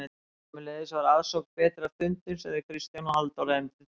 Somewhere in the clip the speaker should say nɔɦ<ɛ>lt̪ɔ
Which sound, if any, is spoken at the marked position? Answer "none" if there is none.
a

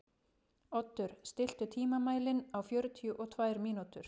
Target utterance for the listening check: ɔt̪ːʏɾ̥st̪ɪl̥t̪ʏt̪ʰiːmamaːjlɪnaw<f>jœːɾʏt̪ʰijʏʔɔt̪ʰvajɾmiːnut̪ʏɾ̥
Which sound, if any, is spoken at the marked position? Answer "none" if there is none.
f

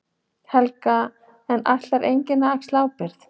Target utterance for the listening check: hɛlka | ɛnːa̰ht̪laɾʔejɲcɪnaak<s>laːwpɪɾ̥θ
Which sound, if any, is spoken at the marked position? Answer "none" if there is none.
s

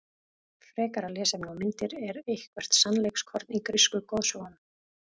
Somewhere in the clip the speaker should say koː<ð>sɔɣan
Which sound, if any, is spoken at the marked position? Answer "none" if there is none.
ð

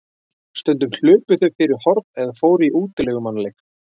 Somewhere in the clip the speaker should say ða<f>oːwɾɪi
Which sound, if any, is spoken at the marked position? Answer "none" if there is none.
f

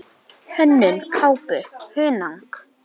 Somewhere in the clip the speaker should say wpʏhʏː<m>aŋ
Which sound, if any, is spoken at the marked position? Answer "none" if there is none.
n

